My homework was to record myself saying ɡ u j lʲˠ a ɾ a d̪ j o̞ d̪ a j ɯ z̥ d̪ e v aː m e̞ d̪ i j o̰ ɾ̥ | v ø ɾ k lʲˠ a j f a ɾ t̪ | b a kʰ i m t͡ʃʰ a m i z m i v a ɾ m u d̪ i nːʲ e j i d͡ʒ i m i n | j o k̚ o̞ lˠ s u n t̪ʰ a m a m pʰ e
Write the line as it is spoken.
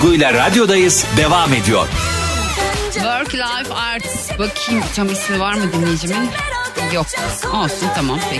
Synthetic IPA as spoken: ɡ u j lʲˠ a ɾ a d̪ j o̞ d̪ a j ɯ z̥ d̪ e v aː m e̞ d̪ i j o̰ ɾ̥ | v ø ɾ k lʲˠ a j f a ɾ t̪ | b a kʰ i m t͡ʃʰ a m i s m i v a ɾ m ɯ d̪ i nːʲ e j i d͡ʒ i m i n | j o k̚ o̞ lˠ s u n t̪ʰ a m a m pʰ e